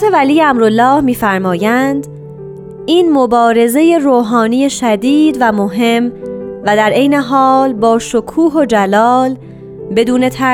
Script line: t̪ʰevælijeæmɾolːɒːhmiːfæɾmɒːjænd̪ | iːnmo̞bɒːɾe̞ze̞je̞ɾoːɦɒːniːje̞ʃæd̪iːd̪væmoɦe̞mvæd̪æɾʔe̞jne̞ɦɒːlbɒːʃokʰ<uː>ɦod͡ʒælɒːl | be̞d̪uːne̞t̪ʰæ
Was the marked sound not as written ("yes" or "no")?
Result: no